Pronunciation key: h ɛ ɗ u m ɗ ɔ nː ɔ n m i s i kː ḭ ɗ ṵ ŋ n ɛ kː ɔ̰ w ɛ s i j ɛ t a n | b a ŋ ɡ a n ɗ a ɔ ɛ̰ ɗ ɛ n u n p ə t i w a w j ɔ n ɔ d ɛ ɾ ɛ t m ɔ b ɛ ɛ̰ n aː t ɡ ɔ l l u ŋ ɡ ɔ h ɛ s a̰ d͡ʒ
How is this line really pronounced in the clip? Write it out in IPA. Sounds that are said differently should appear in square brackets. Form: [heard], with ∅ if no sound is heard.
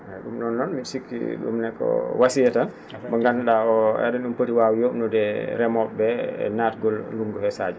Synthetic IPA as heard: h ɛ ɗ u m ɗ ɔ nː ɔ n m i s i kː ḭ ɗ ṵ [m] n ɛ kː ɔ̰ w [a] s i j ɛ t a n | b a ŋ ɡ a n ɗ a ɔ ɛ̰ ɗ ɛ n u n p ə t i w a w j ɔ n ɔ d ɛ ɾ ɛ [∅] m ɔ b ɛ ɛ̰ n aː t ɡ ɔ l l u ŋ ɡ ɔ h ɛ s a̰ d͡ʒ